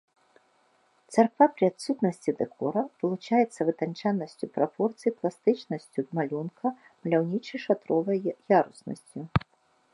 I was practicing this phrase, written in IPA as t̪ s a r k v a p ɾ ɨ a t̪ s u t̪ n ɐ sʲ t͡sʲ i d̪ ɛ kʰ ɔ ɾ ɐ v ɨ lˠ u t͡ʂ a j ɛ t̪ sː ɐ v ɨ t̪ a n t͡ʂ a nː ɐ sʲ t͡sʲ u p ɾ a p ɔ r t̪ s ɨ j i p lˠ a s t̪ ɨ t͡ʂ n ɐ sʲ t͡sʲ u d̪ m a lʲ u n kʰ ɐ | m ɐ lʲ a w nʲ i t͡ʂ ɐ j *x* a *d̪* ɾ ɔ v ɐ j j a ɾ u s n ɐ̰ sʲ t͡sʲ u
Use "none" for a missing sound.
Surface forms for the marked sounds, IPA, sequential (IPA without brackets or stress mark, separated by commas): ʂ, t̪